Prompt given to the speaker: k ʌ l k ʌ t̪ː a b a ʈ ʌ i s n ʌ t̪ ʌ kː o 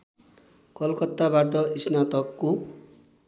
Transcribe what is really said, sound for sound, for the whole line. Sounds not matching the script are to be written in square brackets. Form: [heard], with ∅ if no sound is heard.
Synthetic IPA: k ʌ l k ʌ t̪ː a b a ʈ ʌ i s n [a] t̪ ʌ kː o